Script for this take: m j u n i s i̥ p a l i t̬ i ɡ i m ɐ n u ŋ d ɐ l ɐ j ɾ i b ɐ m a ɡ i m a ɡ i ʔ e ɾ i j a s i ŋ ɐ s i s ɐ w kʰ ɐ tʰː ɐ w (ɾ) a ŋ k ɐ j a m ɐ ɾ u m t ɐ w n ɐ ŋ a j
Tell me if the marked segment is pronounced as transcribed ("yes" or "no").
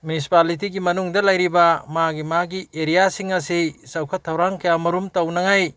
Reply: yes